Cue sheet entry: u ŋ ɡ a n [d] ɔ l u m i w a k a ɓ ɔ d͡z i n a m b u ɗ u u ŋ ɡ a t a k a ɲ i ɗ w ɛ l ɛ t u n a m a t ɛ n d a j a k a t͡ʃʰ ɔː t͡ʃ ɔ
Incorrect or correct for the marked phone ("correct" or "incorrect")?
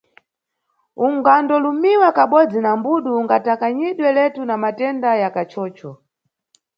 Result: correct